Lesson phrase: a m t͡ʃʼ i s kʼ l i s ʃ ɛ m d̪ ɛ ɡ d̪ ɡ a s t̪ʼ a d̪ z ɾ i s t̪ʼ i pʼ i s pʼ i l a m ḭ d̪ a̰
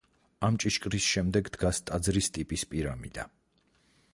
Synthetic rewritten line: a m t͡ʃʼ i ʃ kʼ ɾ i s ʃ ɛ m d̪ ɛ ɡ d̪ ɡ a s t̪ʼ a d̪ z ɾ i s t̪ʼ i pʼ i s pʼ i ɾ a m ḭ d̪ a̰